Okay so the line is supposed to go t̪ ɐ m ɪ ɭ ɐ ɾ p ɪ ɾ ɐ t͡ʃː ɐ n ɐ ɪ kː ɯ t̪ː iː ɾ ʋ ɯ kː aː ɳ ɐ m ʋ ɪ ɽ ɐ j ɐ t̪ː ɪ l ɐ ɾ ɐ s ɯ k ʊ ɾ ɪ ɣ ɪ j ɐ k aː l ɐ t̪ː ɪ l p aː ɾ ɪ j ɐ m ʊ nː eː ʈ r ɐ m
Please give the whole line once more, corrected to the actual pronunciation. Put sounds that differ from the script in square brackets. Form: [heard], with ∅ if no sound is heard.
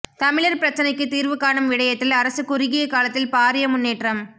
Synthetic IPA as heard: t̪ ɐ m ɪ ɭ ɐ ɾ p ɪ ɾ ɐ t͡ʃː ɐ n ɐ ɪ kː ɯ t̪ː iː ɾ ʋ ɯ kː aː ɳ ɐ m ʋ ɪ ɽ ɐ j ɐ t̪ː ɪ l ɐ ɾ ɐ s ɯ k ʊ ɾ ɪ ɣ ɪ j ɐ k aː l ɐ t̪ː ɪ l p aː ɾ ɪ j ɐ m ʊ nː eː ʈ r ɐ m